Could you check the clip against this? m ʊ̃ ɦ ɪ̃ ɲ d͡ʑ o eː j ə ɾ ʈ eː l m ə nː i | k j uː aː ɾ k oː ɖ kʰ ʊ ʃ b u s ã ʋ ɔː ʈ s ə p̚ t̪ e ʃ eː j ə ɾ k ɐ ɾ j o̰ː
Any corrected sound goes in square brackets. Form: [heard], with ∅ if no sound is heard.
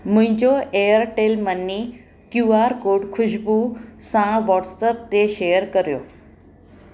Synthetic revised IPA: m ʊ̃ ɦ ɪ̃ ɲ d͡ʑ o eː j ə ɾ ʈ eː l m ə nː i | k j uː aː ɾ k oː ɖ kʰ ʊ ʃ b u s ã ʋ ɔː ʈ s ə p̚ t̪ e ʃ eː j ə ɾ k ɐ ɾ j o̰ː